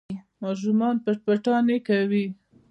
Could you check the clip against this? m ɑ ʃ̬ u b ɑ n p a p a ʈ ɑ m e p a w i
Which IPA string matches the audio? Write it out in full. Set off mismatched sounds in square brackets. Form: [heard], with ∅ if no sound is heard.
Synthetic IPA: m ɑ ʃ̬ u [m] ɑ n p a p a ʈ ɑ [n] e [k] a w i